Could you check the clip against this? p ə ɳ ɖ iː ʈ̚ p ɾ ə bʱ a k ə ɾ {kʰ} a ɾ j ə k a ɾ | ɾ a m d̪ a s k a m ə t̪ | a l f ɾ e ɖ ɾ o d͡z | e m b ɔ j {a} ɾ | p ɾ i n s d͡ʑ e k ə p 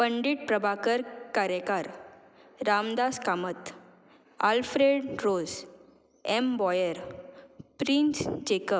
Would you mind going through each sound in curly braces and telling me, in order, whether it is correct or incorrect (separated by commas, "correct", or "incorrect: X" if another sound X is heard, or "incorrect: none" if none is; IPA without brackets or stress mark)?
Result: incorrect: k, incorrect: ə